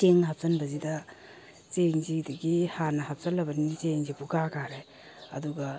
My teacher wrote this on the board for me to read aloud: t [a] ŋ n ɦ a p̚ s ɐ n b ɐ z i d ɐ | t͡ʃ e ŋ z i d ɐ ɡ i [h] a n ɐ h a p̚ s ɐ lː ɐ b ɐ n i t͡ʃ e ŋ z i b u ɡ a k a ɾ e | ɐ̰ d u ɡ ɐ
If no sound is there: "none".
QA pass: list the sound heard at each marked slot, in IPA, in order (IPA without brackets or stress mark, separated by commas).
e, h